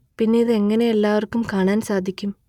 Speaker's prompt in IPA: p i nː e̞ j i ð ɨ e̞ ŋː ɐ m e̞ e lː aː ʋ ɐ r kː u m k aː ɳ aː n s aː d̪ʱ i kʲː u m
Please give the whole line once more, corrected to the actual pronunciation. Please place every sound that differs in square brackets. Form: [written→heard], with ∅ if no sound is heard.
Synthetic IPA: p i nː e̞ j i ð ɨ e̞ ŋː ɐ [m→n] e̞ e lː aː ʋ ɐ r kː u m k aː ɳ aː n s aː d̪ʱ i kʲː u m

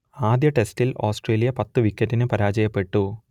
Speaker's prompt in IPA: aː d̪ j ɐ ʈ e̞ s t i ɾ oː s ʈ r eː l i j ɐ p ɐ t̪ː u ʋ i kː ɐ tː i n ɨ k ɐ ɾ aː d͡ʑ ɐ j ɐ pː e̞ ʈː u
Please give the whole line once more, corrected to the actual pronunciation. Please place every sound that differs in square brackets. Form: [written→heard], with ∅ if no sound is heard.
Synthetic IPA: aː d̪ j ɐ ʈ e̞ s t i [ɾ→l] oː s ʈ r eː l i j ɐ p ɐ t̪ː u ʋ i kː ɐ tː i n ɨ [k→p] ɐ ɾ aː d͡ʑ ɐ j ɐ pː e̞ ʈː u

